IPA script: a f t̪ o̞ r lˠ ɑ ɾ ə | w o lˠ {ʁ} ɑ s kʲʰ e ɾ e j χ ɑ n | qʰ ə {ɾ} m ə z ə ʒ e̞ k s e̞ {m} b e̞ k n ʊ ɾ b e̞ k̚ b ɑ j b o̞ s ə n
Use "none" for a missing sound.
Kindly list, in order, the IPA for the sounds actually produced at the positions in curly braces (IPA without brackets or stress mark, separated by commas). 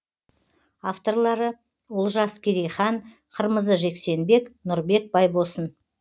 ʒ, ɾ, n